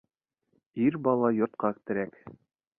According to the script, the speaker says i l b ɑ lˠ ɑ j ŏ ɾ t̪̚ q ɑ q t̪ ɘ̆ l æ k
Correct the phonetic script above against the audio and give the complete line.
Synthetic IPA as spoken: i ɾ b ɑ lˠ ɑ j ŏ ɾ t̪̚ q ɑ k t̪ ɘ̆ ɾ æ k

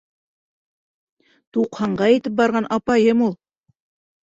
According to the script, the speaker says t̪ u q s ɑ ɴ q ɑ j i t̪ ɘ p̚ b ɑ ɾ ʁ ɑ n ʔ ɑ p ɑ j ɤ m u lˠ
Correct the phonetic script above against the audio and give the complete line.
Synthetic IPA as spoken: t̪ u q h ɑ ɴ ɢ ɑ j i t̪ ɘ p̚ b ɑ ɾ ʁ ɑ n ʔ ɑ p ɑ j ɤ m u lˠ

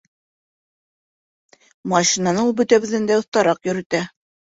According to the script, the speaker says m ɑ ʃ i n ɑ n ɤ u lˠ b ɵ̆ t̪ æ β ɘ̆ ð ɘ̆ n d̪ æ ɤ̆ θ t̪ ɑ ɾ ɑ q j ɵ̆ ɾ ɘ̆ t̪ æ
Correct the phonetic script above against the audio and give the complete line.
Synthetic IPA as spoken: m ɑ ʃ i n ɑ n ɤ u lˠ b ɵ̆ t̪ æ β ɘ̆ ð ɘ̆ n d̪ æ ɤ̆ θ t̪ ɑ ɾ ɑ q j ɵ̆ ɾ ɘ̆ t̪ æ

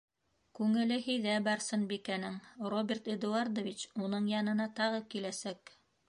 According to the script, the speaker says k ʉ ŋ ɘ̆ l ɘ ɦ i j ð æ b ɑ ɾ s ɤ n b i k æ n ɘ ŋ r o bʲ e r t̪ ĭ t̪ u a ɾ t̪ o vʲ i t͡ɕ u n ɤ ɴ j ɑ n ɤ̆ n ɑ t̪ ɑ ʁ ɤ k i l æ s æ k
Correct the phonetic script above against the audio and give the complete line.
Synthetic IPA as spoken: k ʉ ŋ ɘ̆ l ɘ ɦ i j ð æ b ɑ ɾ s ɤ n b i k æ n ɘ ŋ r o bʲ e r t̪ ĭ d̪ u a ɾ d̪ o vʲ i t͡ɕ u n ɤ ɴ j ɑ n ɤ̆ n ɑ t̪ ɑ ʁ ɤ k i l æ s æ k

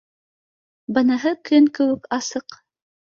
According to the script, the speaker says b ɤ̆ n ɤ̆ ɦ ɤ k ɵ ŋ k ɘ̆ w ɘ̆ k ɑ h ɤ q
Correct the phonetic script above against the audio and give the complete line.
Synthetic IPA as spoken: b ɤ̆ n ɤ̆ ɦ ɤ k ɵ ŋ k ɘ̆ w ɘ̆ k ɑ s ɤ q

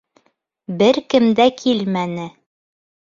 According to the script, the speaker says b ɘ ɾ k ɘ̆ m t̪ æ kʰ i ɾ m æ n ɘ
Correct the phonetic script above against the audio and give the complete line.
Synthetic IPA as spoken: b ɘ ɾ k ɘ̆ m d̪ æ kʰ i l m æ n ɘ

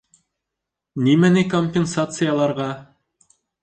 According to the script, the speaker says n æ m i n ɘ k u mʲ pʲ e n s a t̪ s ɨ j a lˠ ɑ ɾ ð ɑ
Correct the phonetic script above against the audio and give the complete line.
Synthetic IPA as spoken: n i m æ n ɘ k o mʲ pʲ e n s a t̪ s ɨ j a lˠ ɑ ɾ ʁ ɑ

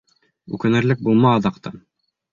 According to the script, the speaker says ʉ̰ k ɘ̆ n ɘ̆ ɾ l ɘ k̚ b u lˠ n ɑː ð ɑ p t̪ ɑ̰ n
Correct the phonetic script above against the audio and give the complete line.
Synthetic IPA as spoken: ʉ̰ k ɘ̆ n ɘ̆ ɾ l ɘ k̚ b u lˠ m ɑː ð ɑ q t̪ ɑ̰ n

